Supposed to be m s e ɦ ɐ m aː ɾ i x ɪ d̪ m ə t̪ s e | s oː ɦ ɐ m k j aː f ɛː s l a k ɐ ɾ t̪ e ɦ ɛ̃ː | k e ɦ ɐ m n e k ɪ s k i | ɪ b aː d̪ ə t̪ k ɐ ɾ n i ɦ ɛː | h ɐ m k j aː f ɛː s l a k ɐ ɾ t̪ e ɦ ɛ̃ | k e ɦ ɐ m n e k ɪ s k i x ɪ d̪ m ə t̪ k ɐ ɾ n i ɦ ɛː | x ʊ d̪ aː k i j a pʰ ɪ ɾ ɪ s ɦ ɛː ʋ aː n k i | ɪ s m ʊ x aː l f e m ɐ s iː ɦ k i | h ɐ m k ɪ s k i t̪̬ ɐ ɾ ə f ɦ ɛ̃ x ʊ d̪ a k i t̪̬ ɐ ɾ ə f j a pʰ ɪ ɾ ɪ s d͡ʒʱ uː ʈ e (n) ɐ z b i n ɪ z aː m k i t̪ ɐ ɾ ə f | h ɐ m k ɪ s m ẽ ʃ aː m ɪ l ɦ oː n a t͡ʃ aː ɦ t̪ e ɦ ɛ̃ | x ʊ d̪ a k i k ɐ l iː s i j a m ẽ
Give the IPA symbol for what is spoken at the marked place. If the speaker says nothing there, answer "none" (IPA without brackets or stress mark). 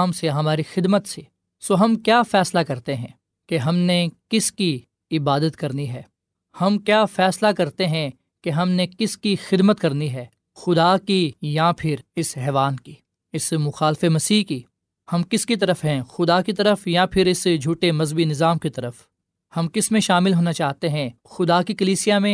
m